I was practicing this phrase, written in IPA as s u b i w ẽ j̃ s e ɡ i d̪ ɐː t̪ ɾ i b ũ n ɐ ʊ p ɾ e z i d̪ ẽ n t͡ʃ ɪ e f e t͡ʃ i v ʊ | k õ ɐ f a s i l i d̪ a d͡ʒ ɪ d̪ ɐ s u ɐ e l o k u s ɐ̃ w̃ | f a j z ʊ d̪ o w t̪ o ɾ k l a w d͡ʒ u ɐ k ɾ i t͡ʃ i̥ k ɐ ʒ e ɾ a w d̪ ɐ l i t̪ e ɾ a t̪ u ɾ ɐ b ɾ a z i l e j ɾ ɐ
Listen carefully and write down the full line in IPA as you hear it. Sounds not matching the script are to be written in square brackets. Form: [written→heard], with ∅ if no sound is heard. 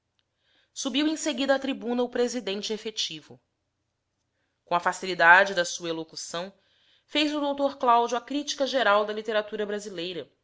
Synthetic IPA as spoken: s u b i w ẽ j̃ s e ɡ i d̪ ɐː t̪ ɾ i b ũ n ɐ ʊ p ɾ e z i d̪ ẽ n t͡ʃ ɪ e f e t͡ʃ i v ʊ | k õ ɐ f a s i l i d̪ a d͡ʒ ɪ d̪ ɐ s u ɐ e l o k u s ɐ̃ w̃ | f [a→e] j z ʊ d̪ o w t̪ o ɾ k l a w d͡ʒ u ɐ k ɾ i t͡ʃ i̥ k ɐ ʒ e ɾ a w d̪ ɐ l i t̪ e ɾ a t̪ u ɾ ɐ b ɾ a z i l e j ɾ ɐ